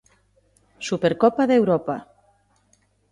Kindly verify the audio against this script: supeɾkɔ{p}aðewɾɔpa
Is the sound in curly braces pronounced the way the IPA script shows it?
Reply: yes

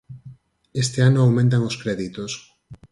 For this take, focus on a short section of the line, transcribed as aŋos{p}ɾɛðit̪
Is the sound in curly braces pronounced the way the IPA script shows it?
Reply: no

